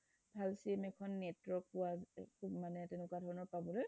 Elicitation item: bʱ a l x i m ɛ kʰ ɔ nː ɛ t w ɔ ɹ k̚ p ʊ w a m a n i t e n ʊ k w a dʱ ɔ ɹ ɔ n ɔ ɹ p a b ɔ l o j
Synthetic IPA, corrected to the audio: bʱ a l s i m ɛ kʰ ɔ nː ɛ t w ɔ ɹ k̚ p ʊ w a m a n ɛ t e n ʊ k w a dʱ ɔ ɹ ɔ n ɔ ɹ p a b ɔ l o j